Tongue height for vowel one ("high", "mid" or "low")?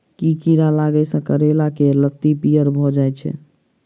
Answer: high